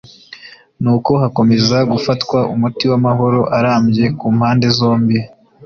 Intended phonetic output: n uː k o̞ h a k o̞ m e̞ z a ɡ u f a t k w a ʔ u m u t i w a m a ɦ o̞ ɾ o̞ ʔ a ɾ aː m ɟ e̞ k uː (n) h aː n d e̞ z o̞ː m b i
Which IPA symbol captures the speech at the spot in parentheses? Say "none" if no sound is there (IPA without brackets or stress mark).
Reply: m